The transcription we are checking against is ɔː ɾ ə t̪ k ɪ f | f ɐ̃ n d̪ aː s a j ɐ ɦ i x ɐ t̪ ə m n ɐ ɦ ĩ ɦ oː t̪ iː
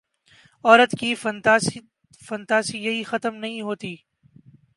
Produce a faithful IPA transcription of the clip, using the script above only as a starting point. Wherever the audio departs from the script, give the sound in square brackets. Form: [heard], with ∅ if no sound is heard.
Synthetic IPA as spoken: ɔː ɾ ə t̪ k [i] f | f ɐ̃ n [t̪] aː s [i] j ɐ ɦ i x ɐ t̪ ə m n ɐ ɦ ĩ ɦ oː t̪ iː

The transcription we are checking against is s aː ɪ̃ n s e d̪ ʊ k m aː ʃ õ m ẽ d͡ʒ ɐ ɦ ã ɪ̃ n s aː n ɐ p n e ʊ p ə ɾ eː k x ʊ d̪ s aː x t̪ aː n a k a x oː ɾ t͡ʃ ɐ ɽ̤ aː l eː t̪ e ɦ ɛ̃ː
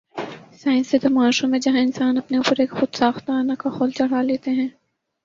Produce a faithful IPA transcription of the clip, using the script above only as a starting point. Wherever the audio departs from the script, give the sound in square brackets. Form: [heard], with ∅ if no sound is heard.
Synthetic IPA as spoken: s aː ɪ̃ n s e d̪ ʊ [∅] m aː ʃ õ m ẽ d͡ʒ ɐ ɦ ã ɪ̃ n s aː n ɐ p n e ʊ p ə ɾ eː k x ʊ d̪ s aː x t̪ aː n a k a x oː [l] t͡ʃ ɐ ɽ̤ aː l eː t̪ e ɦ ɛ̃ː

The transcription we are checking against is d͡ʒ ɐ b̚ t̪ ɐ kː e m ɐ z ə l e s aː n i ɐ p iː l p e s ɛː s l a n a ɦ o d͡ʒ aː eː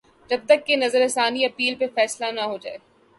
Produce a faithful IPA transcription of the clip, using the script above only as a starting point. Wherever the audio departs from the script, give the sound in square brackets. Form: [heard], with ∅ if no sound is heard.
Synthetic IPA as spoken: d͡ʒ ɐ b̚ t̪ ɐ kː e [n] ɐ z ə [ɾ] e s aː n i ɐ p iː l p e [f] ɛː s l a n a ɦ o d͡ʒ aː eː

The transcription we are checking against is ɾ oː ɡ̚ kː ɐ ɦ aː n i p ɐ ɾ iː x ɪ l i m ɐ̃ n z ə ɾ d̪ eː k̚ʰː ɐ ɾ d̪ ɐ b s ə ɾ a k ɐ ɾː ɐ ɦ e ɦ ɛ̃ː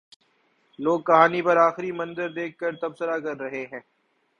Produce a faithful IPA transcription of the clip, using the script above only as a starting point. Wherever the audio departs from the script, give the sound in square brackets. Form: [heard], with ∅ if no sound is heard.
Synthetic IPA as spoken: [l] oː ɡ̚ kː ɐ ɦ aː n i p ɐ ɾ [aː] x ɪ [ɾ] i m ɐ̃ n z ə ɾ d̪ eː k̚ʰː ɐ ɾ [t̪] ɐ b s ə ɾ a k ɐ ɾː ɐ ɦ e ɦ ɛ̃ː

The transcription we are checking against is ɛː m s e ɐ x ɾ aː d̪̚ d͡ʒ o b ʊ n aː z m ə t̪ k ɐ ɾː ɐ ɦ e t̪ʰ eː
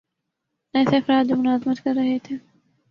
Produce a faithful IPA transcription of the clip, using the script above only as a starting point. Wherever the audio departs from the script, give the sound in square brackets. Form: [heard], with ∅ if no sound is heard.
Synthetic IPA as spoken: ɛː [∅] s e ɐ [f] ɾ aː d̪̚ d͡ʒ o [m] ʊ n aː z m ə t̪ k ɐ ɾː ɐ ɦ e t̪ʰ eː

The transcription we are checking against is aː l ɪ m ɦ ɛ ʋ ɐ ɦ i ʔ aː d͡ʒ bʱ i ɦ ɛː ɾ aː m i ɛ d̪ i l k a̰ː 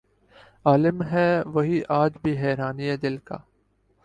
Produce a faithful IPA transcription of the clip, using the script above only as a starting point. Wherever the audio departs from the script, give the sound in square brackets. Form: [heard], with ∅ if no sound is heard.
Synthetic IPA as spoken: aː l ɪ m ɦ ɛ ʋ ɐ ɦ i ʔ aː d͡ʒ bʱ i ɦ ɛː ɾ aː [n] i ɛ d̪ [ɪ] l k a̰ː

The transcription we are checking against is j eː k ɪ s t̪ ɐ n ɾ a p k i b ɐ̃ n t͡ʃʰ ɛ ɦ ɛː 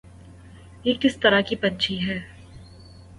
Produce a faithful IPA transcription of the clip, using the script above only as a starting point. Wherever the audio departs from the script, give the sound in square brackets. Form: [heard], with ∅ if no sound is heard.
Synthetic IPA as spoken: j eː k ɪ s t̪ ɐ [∅] ɾ a [∅] k i [p] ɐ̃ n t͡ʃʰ [i] ɦ ɛː

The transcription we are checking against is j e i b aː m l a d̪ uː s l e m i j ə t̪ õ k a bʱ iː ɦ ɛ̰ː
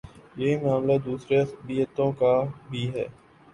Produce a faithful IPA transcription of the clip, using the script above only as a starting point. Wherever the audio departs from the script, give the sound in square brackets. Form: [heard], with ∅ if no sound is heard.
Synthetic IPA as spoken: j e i [m] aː m l a d̪ uː s [ɾ] e [b] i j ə t̪ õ k a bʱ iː ɦ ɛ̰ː

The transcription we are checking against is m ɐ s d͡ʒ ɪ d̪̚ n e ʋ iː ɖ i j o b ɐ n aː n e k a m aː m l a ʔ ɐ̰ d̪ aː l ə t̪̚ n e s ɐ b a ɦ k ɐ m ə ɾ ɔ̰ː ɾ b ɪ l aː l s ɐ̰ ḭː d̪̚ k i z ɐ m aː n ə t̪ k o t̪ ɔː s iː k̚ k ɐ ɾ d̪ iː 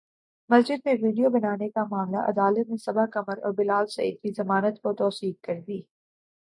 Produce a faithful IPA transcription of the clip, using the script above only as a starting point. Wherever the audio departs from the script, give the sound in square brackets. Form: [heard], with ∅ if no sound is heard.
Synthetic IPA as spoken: m ɐ s d͡ʒ ɪ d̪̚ n e ʋ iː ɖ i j o b ɐ n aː n e k a m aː m l a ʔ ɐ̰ d̪ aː l ə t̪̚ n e s ɐ b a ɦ k ɐ m ə ɾ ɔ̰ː ɾ b ɪ l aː l s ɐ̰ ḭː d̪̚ k i z ɐ m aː n ə t̪ k o t̪ ɔː s iː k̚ k ɐ ɾ d̪ iː

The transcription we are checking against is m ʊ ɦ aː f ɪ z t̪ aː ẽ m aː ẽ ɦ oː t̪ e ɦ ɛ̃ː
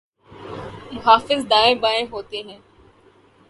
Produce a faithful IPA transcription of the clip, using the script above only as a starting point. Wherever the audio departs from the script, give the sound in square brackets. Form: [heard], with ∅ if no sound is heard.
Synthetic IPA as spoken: m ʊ ɦ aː f ɪ z [d̪] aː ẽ [b] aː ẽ ɦ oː t̪ e ɦ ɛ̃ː

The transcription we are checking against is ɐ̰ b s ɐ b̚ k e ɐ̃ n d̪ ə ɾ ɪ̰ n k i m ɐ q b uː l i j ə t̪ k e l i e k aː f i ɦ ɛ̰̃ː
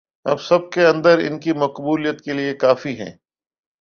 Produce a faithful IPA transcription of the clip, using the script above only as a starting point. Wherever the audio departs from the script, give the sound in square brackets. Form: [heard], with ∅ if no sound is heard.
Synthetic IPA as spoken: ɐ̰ b s ɐ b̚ k e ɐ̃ n d̪ ə ɾ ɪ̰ n k i m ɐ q b uː l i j ə t̪ k e l i e k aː f i ɦ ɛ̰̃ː

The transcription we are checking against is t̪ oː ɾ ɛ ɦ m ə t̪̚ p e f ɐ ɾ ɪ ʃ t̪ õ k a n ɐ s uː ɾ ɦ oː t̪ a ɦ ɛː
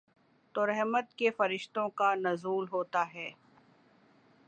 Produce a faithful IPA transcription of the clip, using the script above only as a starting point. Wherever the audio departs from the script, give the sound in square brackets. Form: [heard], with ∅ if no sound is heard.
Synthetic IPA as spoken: t̪ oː ɾ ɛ ɦ m ə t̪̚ [k] e f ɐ ɾ ɪ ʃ t̪ õ k a n ɐ [z] uː [l] ɦ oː t̪ a ɦ ɛː

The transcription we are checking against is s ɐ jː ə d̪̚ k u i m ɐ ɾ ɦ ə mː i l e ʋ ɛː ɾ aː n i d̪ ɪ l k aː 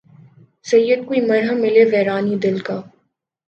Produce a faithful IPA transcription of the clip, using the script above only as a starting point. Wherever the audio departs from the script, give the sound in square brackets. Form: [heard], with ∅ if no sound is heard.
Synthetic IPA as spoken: s ɐ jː ə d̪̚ k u i m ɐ ɾ ɦ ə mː [ɪ] l e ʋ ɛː ɾ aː n i d̪ ɪ l k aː

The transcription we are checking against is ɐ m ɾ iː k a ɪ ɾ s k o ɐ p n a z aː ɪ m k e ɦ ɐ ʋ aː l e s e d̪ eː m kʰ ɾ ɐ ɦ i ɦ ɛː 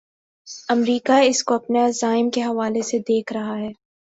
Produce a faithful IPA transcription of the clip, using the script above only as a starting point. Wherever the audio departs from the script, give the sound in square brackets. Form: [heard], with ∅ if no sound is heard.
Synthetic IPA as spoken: ɐ m ɾ iː k a ɪ [∅] s k o ɐ p n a z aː ɪ m k e ɦ ɐ ʋ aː l e s e d̪ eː [∅] kʰ ɾ ɐ ɦ [a] ɦ ɛː

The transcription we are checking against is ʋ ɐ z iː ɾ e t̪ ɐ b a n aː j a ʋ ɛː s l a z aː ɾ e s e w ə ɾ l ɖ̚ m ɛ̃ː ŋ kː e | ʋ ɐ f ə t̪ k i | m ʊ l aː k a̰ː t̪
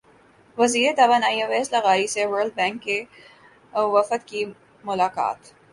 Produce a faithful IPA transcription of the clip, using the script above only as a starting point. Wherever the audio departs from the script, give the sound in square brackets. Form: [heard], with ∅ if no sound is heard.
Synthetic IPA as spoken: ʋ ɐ z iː ɾ e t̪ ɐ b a n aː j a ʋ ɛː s l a [ɣ] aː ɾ [i] s e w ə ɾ l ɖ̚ [b] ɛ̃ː ŋ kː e | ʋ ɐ f ə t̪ k i | m ʊ l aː k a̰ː t̪

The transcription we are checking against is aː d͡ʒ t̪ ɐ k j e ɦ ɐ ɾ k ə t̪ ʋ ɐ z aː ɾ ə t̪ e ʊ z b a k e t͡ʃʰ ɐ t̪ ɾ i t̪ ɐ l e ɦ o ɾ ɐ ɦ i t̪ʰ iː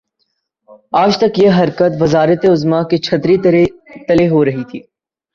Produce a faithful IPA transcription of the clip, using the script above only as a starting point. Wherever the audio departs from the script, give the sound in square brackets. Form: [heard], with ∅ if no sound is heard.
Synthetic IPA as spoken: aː d͡ʒ t̪ ɐ k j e ɦ ɐ ɾ k ə t̪ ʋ ɐ z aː ɾ ə t̪ e ʊ z [m] a k e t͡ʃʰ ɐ t̪ ɾ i t̪ ɐ l e ɦ o ɾ ɐ ɦ i t̪ʰ iː

